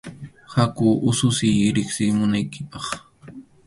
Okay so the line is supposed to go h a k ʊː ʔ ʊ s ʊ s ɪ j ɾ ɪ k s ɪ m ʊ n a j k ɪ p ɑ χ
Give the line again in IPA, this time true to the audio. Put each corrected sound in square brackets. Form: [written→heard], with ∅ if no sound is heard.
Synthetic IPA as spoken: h a k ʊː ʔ ʊ s ʊ s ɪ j ɾ ɪ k s ɪ m ʊ n a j k ɪ p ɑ χ